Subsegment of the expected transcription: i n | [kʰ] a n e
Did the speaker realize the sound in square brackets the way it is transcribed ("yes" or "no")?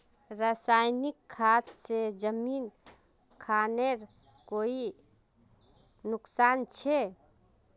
yes